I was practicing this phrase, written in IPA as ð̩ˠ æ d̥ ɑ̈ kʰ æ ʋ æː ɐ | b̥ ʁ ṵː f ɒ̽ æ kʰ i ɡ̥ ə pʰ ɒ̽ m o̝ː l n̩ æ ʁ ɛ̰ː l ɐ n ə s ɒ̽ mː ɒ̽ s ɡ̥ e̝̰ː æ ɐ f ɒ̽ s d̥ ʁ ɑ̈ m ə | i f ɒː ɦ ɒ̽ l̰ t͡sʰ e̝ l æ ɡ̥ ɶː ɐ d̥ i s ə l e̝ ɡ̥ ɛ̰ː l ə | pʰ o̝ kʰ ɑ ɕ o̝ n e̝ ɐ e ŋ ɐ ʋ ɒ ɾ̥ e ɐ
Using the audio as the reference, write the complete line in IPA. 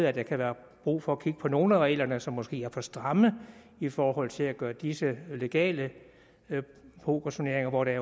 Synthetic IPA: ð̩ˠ æ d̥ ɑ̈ kʰ æ ʋ æː ɐ | b̥ ʁ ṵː f ɒ̽ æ kʰ i ɡ̥ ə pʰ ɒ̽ n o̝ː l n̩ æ ʁ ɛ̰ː l ɐ n ə s ɒ̽ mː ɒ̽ s ɡ̥ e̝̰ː æ ɐ f ɒ̽ s d̥ ʁ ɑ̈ m ə | i f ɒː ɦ ɒ̽ l̰ t͡sʰ e̝ l æ ɡ̥ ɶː ɐ d̥ i s ə l e̝ ɡ̥ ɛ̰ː l ə | pʰ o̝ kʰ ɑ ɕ o̝ n e̝ ɐ e ŋ ɐ ʋ ɒ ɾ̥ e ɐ

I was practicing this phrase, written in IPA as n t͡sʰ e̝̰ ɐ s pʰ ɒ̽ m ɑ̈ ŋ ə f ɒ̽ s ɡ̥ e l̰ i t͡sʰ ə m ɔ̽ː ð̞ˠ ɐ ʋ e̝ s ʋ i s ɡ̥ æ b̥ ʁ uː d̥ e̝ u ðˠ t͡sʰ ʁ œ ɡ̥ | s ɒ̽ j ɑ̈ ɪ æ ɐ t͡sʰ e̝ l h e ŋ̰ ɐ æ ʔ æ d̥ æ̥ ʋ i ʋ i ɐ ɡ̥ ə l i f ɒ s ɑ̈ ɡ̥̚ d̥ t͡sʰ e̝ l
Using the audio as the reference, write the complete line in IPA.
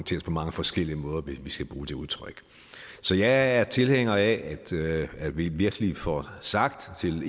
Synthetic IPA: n t͡sʰ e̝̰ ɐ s pʰ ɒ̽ m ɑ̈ ŋ ə f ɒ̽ s ɡ̥ e l̰ i ə m ɔ̽ː ð̞ˠ ɐ ʋ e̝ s ʋ i s ɡ̥ æ b̥ ʁ uː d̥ e̝ u ðˠ t͡sʰ ʁ œ ɡ̥ | s ɒ̽ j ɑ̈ ɪ æ ɐ t͡sʰ e̝ l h e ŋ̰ ɐ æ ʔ æ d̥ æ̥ ʋ i ʋ i ɐ ɡ̥ ə l i f ɒ s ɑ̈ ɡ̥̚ d̥ t͡sʰ e̝ l

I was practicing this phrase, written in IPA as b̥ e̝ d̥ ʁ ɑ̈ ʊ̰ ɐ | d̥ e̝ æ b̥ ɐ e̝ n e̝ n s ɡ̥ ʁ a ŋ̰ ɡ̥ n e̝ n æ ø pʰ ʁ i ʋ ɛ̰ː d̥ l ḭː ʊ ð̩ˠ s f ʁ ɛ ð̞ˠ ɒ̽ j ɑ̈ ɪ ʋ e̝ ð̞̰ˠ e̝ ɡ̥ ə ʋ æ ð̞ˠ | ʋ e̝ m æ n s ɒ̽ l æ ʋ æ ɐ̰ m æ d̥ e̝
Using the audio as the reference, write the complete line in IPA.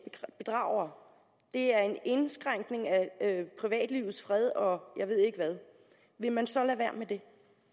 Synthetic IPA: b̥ e̝ d̥ ʁ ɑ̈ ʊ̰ ɐ | d̥ e̝ æ ɐ e̝ n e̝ n s ɡ̥ ʁ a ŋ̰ ɡ̥ n e̝ ŋ æ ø pʰ ʁ i ʋ ɛ̰ː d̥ l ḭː ʊ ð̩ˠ s f ʁ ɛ ð̞ˠ ɒ̽ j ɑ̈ ɪ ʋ e̝ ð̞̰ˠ e̝ ɡ̥ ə ʋ æ ð̞ˠ | ʋ e̝ m æ n s ɒ̽ l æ ʋ æ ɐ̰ m e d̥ e̝

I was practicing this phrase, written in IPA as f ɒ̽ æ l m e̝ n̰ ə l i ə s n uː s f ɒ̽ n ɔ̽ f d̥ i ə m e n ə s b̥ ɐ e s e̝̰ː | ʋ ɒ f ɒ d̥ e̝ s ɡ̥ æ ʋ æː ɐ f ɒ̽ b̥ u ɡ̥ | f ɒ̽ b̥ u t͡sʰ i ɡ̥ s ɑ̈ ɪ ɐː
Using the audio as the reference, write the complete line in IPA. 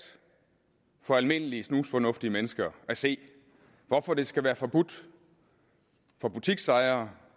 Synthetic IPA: f ɒ̽ æ l m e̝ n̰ ə l i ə s n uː s f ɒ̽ n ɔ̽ f d̥ i ə m e n ə s ɡ̥ ɐ æ s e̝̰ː | ʋ ɒ f ɒ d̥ e̝ s ɡ̥ æ ʋ æː ɐ f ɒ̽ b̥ u d̥ | f ɒ̽ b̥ u t͡sʰ i ɡ̥ s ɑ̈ ɪ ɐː

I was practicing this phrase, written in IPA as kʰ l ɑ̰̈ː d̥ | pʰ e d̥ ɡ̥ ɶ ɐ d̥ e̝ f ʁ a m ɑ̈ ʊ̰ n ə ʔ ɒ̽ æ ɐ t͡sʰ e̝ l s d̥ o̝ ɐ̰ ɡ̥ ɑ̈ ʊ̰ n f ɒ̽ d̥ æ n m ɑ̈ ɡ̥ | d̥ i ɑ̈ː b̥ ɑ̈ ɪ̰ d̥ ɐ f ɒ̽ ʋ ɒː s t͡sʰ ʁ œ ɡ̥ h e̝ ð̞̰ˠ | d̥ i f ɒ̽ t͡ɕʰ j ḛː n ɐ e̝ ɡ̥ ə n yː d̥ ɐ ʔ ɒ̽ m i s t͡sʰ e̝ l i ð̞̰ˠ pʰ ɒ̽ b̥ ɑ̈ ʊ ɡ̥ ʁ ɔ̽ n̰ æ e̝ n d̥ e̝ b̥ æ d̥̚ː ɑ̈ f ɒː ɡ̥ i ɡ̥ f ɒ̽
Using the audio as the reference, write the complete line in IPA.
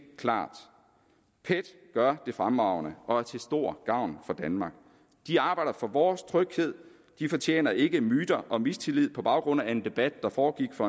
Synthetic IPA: kʰ l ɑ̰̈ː d̥ | pʰ e d̥ ɡ̥ ɶ ɐ d̥ e̝ f ʁ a m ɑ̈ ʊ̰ n ə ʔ ɒ̽ æ ɐ t͡sʰ e̝ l s d̥ o̝ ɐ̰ ɡ̥ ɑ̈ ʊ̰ n f ɒ̽ d̥ æ n m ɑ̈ ɡ̥ | d̥ i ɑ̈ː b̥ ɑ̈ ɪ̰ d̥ ɐ f ɒ̽ ʋ ɒː s t͡sʰ ʁ œ ɡ̥ h e̝ ð̞̰ˠ | d̥ i f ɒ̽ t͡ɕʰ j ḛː n ɐ e̝ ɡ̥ ə m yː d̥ ɐ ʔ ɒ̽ m i s t͡sʰ e̝ l i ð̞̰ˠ pʰ ɒ̽ b̥ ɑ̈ ʊ ɡ̥ ʁ ɔ̽ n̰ æ e̝ n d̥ e̝ b̥ æ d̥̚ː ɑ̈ f ɒː ɡ̥ i ɡ̥ f ɒ̽

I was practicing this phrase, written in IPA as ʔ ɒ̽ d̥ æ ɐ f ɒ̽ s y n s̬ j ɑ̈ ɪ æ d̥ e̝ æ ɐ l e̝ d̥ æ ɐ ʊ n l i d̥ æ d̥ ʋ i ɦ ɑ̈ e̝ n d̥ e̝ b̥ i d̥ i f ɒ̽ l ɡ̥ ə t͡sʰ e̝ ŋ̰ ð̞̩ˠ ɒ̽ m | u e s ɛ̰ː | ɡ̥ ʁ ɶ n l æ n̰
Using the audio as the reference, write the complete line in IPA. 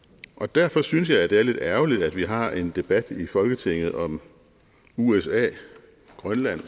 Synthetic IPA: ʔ ɒ̽ d̥ æ ɐ f ɒ̽ s y n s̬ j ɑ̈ ɪ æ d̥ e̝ æ ɐ l e̝ d̥ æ ɐ ʊ l i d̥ æ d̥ ʋ i ɦ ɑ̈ e̝ n d̥ e̝ b̥ æ d̥ i f ɒ̽ l ɡ̥ ə t͡sʰ e̝ ŋ̰ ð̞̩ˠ ɒ̽ m | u e s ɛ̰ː | ɡ̥ ʁ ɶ n l æ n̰

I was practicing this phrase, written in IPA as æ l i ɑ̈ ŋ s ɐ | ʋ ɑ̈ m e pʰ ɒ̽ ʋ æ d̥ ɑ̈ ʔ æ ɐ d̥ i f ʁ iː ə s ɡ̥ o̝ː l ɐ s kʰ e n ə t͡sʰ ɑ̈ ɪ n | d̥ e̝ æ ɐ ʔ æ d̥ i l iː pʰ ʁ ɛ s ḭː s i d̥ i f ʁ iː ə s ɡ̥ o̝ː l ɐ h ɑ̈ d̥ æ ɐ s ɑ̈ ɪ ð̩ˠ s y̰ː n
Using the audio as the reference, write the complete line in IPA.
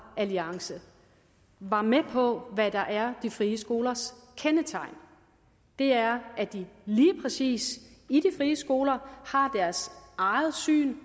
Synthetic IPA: æ l i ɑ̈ ŋ s ə | ʋ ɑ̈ m e pʰ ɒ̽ ʋ æ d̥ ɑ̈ ʔ æ ɐ d̥ i f ʁ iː ə s ɡ̥ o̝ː l ɐ s kʰ e n ə t͡sʰ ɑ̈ ɪ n | d̥ e̝ æ ɐ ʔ æ d̥ i l iː pʰ ʁ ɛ s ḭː s i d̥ i f ʁ iː ə s ɡ̥ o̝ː l ɐ h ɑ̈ d̥ æ ɐ s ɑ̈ ɪ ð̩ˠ s y̰ː n

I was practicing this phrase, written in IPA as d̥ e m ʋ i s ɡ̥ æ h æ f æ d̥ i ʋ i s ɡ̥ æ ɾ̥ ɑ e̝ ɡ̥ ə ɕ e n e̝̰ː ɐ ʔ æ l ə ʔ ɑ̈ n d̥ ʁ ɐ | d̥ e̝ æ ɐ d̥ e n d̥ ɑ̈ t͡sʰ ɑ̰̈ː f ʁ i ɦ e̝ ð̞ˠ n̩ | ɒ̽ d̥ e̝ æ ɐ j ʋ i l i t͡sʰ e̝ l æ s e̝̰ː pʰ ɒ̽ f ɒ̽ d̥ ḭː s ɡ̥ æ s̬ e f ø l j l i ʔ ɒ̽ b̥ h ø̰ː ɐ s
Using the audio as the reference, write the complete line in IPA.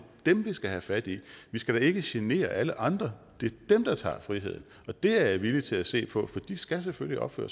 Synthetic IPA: d̥ e m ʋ i s ɡ̥ æ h æ f æ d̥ i ʋ i s ɡ̥ æ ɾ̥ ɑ e̝ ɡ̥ ə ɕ e n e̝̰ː ɐ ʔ æ l ə ʔ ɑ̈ n d̥ ʁ ɐ | d̥ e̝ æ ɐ d̥ e m d̥ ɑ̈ t͡sʰ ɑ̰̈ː f ʁ i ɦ e̝ ð̞ˠ n̩ | ɒ̽ d̥ e̝ æ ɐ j ʋ i l i t͡sʰ e̝ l æ s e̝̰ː pʰ ɒ̽ f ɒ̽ d̥ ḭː s ɡ̥ æ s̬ e f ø l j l i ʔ ɒ̽ b̥ f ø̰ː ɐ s

